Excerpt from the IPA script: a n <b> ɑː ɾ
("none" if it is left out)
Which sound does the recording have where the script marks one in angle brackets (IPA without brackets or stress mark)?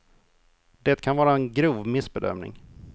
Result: v